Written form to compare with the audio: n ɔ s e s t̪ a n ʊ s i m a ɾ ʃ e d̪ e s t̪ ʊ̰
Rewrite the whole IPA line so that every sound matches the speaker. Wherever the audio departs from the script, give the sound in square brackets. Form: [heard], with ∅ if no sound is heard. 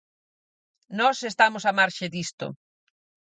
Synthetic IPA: n ɔ s e s t̪ a [m] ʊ s [a] m a ɾ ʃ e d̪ [i] s t̪ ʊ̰